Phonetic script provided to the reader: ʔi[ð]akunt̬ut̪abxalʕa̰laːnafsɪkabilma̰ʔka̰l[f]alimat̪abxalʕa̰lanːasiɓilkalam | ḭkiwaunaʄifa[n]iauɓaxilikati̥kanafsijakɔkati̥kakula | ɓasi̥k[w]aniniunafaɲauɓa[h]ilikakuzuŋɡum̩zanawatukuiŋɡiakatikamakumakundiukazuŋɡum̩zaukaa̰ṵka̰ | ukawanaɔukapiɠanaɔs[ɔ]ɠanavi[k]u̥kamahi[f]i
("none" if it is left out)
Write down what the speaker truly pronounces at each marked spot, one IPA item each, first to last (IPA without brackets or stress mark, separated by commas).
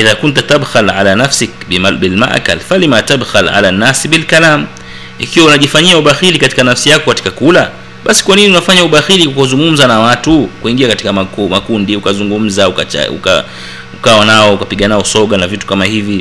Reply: ð, f, ɲ, w, x, ɔ, t, v